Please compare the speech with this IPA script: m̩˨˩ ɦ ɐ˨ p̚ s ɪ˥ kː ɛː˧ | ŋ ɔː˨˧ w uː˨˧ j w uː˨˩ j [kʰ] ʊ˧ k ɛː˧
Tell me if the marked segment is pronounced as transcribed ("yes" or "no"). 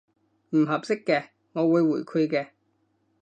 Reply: yes